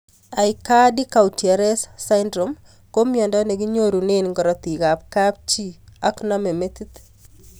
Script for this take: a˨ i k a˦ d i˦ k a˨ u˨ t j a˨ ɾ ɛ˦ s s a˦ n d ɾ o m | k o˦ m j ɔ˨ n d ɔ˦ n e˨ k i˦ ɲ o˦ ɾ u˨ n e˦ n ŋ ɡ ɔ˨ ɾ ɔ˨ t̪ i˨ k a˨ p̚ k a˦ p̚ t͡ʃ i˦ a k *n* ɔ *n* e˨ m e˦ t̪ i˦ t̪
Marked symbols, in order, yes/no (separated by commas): yes, no